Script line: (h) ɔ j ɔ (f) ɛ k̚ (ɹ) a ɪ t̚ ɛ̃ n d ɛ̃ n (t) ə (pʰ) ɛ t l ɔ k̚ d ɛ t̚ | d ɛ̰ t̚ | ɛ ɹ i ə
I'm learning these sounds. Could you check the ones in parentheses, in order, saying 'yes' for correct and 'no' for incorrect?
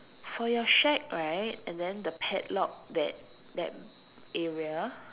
no, no, yes, no, yes

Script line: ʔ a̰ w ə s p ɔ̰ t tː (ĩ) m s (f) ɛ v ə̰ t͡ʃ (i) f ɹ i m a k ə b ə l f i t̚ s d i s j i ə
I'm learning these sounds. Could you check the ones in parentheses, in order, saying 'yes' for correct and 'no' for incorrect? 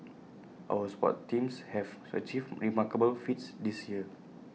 yes, no, yes

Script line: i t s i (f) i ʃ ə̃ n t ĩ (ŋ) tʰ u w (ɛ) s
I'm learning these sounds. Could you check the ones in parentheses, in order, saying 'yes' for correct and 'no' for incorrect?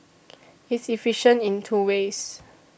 yes, no, no

